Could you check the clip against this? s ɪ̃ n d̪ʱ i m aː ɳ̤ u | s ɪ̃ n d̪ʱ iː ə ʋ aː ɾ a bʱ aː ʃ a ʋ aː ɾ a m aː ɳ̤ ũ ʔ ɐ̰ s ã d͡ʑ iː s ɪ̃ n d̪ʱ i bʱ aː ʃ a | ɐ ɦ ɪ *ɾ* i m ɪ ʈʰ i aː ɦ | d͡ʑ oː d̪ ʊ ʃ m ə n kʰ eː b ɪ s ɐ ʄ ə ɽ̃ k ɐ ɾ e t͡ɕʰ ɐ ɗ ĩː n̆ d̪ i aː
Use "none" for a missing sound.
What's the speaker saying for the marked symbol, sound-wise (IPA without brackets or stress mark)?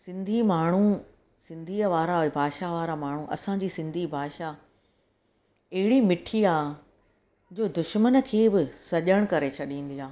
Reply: ɽ